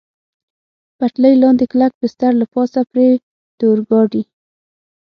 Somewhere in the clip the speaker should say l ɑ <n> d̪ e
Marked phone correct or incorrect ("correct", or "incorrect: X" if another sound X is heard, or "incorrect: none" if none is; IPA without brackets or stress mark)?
correct